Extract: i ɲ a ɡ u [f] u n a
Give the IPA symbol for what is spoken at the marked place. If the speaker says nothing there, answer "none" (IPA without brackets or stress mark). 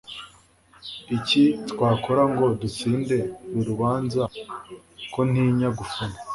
f